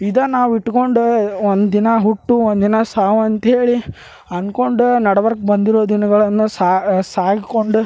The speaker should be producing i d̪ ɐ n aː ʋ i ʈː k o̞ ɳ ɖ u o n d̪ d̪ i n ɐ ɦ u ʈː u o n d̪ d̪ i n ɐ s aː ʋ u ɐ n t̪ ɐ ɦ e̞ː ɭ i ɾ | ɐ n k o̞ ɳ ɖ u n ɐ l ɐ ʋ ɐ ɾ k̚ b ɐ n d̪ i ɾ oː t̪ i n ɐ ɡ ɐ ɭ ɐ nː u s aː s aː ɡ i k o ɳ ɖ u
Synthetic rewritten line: i d̪ ɐ n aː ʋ i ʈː k o̞ ɳ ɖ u o n d̪ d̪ i n ɐ ɦ u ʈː u o n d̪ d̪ i n ɐ s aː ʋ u ɐ n t̪ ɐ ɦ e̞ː ɭ i | ɐ n k o̞ ɳ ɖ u n ɐ ɽ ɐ ʋ ɐ ɾ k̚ b ɐ n d̪ i ɾ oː d̪ i n ɐ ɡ ɐ ɭ ɐ nː u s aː s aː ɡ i k o ɳ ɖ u